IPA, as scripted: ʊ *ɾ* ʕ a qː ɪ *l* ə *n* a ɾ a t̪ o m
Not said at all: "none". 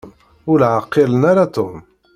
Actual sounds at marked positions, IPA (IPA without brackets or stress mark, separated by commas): l, l, n